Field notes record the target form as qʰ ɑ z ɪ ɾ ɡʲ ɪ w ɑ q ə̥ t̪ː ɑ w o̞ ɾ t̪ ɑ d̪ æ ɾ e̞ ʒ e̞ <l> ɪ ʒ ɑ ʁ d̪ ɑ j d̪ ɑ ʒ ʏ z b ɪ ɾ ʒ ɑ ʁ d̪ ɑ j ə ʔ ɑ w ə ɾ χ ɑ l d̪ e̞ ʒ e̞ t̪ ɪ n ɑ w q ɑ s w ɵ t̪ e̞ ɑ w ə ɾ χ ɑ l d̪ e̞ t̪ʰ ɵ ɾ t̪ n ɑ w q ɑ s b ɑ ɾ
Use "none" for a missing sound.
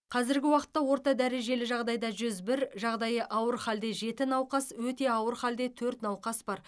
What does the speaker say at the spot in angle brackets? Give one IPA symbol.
l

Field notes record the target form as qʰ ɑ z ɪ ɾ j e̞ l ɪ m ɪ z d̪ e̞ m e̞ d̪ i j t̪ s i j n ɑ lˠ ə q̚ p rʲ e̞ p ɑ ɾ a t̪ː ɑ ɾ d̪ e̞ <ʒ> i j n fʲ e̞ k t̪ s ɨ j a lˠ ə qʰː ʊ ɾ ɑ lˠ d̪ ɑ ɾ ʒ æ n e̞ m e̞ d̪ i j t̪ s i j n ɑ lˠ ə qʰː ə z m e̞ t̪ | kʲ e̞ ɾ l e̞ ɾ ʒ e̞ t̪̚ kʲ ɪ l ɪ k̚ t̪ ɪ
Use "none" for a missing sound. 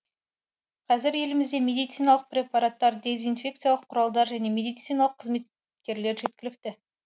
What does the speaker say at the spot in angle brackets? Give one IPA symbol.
z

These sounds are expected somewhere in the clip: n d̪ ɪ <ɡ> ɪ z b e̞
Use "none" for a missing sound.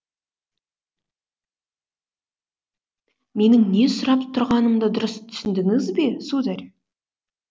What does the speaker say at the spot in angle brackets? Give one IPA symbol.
ŋ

